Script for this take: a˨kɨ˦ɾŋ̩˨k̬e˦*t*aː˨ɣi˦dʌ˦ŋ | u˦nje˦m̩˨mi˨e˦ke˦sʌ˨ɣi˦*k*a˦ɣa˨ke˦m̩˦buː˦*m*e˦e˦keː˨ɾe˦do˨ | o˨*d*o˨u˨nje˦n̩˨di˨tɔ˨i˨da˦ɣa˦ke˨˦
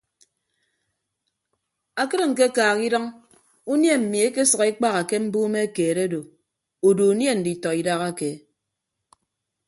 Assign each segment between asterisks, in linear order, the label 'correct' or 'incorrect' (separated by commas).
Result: incorrect, incorrect, correct, correct